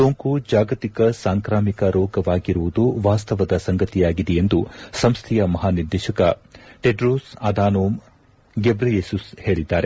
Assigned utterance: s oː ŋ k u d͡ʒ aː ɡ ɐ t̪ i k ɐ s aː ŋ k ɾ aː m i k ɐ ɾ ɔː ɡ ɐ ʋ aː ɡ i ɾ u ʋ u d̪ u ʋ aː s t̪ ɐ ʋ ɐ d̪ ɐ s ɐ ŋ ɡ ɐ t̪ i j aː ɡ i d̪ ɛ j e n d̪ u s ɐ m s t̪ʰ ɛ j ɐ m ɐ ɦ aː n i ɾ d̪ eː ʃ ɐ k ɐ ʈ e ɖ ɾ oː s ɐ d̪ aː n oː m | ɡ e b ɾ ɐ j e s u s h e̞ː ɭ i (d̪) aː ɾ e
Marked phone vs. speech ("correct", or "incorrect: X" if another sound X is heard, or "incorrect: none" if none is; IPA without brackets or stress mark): incorrect: d̪ː